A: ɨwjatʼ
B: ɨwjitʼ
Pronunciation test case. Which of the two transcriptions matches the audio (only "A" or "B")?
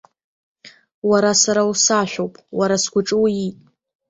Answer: B